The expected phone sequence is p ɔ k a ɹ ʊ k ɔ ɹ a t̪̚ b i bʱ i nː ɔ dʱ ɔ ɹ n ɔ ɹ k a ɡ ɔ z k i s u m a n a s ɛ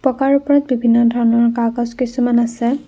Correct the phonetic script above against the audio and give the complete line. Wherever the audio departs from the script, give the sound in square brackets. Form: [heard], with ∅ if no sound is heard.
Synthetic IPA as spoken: p ɔ k a ɹ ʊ [p] ɔ ɹ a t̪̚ b i bʱ i nː ɔ dʱ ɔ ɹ n ɔ ɹ k a ɡ ɔ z k i s u m a n a s ɛ